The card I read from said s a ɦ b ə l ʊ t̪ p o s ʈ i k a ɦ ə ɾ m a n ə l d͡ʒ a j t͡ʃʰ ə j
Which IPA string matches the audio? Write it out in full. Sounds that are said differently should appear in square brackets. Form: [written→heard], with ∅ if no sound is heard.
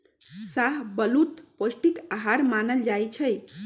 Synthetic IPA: s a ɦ b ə l [ʊ→u] t̪ p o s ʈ i k a ɦ [ə→a] ɾ m a n ə l d͡ʒ a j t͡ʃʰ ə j